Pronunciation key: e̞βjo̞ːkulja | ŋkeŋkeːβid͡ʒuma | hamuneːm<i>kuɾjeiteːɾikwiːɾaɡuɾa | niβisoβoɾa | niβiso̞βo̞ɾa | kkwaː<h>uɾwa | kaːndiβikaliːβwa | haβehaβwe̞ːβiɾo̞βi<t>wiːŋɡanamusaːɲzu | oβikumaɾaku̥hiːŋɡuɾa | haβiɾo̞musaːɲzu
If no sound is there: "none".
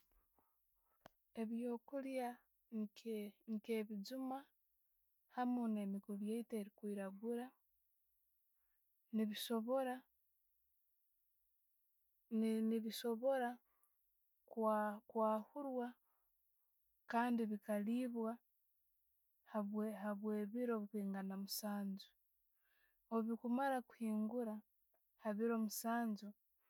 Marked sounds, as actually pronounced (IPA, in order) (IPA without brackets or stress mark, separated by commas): i, h, k